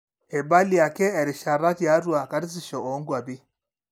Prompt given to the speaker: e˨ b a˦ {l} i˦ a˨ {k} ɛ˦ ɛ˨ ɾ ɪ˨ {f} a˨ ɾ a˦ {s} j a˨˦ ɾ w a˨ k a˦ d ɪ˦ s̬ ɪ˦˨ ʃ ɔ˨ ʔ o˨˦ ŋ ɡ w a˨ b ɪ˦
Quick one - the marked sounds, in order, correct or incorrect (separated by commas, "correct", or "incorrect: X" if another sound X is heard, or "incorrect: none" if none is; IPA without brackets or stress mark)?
correct, correct, incorrect: ʃ, incorrect: t